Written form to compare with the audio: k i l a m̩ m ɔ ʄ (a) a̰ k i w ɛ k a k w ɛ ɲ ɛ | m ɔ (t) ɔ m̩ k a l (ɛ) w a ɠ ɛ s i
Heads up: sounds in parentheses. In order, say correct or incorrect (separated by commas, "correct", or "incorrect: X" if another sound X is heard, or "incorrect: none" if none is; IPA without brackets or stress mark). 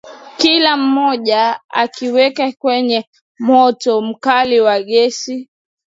correct, correct, incorrect: i